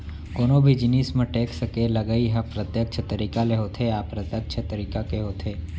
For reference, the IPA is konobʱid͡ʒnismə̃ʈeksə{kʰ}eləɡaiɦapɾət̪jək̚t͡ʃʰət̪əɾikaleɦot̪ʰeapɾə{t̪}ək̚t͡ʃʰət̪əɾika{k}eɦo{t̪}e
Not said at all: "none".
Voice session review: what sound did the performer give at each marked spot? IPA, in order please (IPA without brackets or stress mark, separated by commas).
k, t̪, k, t̪ʰ